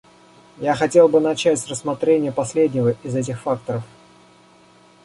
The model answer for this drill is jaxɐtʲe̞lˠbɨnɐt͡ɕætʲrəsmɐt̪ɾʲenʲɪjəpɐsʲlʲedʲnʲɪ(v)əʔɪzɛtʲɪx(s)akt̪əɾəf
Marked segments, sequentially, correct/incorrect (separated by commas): correct, incorrect